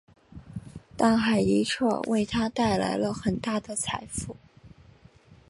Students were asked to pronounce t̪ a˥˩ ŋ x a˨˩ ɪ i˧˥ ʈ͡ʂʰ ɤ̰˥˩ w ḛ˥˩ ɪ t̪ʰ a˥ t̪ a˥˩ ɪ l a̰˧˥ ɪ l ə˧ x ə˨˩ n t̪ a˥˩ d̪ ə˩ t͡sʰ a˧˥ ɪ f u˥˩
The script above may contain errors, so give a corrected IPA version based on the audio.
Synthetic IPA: t̪ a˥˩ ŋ x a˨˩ ɪ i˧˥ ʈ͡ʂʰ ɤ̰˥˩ w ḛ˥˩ ɪ t̪ʰ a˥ t̪ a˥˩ ɪ l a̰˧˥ ɪ l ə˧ x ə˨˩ n t̪ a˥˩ d̪ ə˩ t͡sʰ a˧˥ ɪ f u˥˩